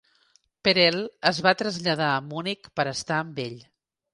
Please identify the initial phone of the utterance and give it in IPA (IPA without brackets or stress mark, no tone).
p